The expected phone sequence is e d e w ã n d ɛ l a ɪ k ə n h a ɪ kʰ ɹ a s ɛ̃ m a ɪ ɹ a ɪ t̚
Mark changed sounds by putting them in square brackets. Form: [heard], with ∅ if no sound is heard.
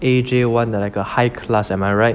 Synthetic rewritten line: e [d͡ʒ] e w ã n d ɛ l a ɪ k ə [∅] h a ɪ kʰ [l] a s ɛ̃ m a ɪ ɹ a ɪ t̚